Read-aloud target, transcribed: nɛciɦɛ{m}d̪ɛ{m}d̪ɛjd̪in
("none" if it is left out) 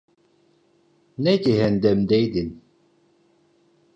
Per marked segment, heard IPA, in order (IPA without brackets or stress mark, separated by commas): n, m